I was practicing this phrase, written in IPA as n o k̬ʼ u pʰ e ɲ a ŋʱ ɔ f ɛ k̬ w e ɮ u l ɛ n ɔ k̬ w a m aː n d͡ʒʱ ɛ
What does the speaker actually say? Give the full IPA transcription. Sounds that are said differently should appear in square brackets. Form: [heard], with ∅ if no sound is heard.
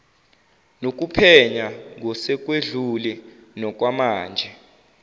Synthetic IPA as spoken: n o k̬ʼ u pʰ [ɛ] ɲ a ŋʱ ɔ [s] ɛ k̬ w e ɮ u l ɛ n ɔ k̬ w a m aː n d͡ʒʱ ɛ

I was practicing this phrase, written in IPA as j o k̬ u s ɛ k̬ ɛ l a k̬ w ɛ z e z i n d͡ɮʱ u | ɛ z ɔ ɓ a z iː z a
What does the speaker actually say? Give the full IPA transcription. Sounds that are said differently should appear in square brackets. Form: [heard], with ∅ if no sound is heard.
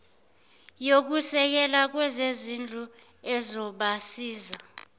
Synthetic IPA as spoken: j o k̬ u s ɛ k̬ ɛ l a k̬ w ɛ z e z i n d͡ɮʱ u | ɛ z ɔ ɓ a [s] iː z a

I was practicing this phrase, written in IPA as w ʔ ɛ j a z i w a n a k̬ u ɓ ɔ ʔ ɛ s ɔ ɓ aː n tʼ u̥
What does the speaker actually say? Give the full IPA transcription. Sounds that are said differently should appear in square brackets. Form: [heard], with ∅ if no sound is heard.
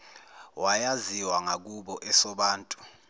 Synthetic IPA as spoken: w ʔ [a] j a z i w a [ŋ] a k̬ u ɓ ɔ ʔ ɛ s ɔ ɓ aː n tʼ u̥

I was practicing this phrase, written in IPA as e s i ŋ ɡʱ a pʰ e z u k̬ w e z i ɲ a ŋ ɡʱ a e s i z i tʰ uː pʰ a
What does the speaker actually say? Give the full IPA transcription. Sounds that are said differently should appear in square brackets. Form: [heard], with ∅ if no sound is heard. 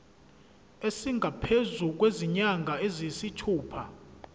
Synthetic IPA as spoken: e s i ŋ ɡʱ a pʰ e z u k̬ w e z i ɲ a ŋ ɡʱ a e [z] i [s] i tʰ uː pʰ a

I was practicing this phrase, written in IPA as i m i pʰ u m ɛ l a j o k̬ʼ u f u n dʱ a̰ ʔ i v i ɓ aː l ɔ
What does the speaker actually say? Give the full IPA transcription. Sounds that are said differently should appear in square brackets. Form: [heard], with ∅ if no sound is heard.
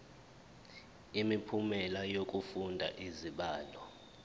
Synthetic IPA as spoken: i m i pʰ u m ɛ l a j o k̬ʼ u f u n dʱ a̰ ʔ i [z] i ɓ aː l ɔ

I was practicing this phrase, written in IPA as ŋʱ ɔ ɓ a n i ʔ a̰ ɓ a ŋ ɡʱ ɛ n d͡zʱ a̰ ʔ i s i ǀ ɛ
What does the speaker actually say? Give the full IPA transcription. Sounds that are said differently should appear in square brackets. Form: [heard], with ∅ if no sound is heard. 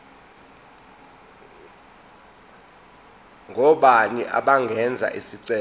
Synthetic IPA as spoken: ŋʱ ɔ ɓ a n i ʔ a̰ ɓ a ŋ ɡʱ ɛ n d͡zʱ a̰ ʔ i s i ǀ ɛ

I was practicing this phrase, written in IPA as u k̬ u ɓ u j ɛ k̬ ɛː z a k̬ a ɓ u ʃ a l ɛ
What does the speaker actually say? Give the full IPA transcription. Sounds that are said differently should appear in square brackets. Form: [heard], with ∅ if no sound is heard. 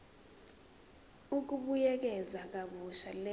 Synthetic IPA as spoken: u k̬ u ɓ u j ɛ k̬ [ɛ] z a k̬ a ɓ u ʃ a l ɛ

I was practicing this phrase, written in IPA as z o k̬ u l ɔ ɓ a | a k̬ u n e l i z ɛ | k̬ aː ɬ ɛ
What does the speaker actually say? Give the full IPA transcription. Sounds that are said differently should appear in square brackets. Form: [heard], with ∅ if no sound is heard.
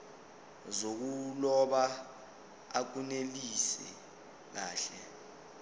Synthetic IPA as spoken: z o k̬ u l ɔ ɓ a | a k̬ u n e l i [s] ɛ | k̬ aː ɬ ɛ

